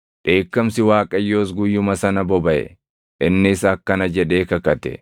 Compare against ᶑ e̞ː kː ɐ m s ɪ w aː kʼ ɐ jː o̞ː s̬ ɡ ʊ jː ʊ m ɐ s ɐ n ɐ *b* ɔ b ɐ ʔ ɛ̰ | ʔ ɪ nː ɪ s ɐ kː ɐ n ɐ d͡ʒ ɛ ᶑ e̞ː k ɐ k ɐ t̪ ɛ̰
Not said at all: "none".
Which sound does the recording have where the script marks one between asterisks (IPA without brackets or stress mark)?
b